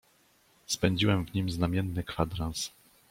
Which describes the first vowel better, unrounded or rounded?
unrounded